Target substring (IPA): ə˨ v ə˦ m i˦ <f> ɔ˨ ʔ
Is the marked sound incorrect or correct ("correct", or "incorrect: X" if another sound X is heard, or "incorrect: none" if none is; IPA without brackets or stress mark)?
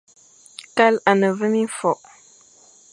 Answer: correct